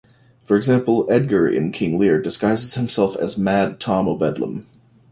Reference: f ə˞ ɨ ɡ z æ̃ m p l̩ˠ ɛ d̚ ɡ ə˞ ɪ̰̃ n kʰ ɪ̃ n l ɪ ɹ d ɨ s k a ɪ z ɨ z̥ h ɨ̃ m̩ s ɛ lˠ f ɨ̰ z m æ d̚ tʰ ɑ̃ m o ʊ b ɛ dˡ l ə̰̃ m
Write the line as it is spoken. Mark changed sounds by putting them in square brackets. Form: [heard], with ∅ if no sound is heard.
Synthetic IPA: f ə˞ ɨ ɡ z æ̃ m p l̩ˠ ɛ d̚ ɡ ə˞ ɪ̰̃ n kʰ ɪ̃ [ŋ] l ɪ ɹ d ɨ s k a ɪ z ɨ z̥ h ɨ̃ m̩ s ɛ lˠ f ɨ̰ z m æ d̚ tʰ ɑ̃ m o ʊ b ɛ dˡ l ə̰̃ m